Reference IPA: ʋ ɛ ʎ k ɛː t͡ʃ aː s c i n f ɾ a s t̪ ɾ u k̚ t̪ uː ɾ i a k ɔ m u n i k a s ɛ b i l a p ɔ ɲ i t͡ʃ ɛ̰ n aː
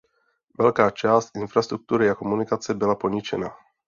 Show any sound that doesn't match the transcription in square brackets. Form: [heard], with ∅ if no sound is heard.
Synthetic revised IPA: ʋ ɛ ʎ k [aː] t͡ʃ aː s c i n f ɾ a s t̪ ɾ u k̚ t̪ uː ɾ i a k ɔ m u n i k a [t͡s] ɛ b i l a p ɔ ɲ i t͡ʃ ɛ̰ n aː

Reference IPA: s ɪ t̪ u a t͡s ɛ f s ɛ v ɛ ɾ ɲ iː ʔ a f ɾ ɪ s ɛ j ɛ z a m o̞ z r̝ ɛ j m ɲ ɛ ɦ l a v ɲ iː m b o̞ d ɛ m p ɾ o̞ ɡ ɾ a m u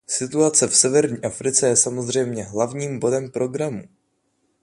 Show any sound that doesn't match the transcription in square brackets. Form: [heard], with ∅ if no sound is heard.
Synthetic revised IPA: s ɪ t̪ u a t͡s ɛ f s ɛ v ɛ ɾ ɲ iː ʔ a f ɾ ɪ [t͡s] ɛ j ɛ [s] a m o̞ z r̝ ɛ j m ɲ ɛ ɦ l a v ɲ iː m b o̞ d ɛ m p ɾ o̞ ɡ ɾ a m u

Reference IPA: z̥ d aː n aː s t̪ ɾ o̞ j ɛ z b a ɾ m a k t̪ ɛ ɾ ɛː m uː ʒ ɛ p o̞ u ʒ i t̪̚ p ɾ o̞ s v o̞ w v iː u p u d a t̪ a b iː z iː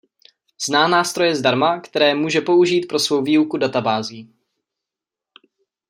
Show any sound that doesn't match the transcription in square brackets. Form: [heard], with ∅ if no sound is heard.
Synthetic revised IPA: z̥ [n] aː n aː s t̪ ɾ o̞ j ɛ z [d] a ɾ m a k t̪ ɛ ɾ ɛː m uː ʒ ɛ p o̞ u ʒ [iː] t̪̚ p ɾ o̞ s v o̞ w v iː u [k] u d a t̪ a b [aː] z iː

